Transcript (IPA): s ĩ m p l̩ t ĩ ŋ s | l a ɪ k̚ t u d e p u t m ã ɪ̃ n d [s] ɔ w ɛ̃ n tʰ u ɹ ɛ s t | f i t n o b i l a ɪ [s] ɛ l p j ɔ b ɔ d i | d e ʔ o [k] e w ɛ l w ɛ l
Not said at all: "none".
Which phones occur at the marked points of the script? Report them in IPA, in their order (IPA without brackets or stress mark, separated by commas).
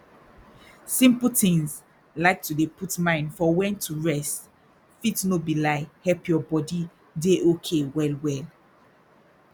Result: f, h, kʰ